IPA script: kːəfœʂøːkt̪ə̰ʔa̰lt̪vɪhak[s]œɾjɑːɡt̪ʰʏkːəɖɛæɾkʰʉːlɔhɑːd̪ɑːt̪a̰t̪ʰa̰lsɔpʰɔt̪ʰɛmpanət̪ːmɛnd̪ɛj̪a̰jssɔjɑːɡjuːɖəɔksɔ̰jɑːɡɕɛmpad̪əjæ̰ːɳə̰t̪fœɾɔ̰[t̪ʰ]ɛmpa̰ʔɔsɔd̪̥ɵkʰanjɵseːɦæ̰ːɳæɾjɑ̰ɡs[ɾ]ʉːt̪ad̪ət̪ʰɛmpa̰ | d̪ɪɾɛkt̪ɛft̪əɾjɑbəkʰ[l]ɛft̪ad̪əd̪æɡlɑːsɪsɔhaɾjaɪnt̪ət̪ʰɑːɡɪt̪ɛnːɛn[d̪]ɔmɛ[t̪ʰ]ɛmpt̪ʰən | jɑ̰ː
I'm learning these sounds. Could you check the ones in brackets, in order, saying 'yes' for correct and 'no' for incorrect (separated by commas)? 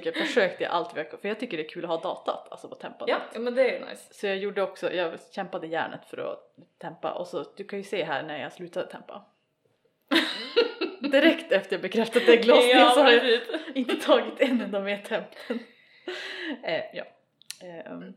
no, yes, no, no, yes, yes